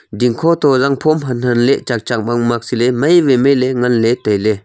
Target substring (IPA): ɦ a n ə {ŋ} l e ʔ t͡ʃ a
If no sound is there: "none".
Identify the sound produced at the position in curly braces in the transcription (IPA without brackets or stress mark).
n